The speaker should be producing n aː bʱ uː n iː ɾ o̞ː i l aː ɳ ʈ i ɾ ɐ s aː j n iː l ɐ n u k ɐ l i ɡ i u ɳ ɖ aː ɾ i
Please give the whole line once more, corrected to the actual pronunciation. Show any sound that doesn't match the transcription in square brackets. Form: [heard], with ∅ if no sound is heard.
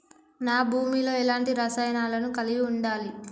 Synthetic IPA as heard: n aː bʱ uː [m] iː [l] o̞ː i l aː ɳ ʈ i ɾ ɐ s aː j n [aː] l ɐ n u k ɐ l i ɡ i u ɳ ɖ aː [l] i